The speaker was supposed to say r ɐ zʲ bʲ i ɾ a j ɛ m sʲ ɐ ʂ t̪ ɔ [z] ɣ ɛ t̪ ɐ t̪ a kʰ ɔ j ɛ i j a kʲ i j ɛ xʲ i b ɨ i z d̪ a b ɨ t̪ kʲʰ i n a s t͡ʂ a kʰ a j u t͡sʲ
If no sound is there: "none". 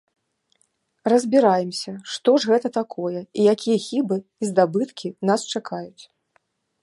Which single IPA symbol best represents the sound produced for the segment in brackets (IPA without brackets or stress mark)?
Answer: ʐ